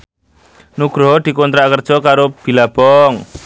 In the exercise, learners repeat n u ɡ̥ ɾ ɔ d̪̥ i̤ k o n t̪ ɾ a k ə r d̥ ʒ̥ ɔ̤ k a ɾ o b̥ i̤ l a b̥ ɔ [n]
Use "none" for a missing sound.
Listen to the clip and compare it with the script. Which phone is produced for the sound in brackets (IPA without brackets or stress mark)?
ŋ